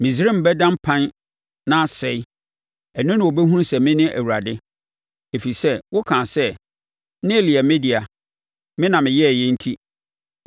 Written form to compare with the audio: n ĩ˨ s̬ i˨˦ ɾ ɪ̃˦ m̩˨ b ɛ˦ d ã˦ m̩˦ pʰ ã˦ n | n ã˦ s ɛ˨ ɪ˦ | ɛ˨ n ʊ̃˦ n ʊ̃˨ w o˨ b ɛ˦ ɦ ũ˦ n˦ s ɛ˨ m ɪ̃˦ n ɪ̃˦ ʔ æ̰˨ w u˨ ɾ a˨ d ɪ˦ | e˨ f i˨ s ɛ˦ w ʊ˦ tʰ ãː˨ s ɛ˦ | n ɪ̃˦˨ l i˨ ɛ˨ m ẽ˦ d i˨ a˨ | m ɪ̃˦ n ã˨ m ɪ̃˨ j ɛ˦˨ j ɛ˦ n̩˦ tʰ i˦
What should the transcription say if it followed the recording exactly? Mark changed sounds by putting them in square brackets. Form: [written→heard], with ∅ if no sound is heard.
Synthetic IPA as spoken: [n→m] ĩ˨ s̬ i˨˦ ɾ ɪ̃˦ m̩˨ b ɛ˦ d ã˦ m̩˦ pʰ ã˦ n | n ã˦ s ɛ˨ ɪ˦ | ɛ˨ n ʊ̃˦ n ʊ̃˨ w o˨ b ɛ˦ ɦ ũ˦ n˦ s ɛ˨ m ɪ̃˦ n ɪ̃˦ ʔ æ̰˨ w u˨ ɾ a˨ d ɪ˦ | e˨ f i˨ s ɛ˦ w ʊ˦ [tʰ→kʰ] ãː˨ s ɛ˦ | n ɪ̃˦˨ l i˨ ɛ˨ m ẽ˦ d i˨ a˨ | m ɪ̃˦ n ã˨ m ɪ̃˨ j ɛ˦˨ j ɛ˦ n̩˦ tʰ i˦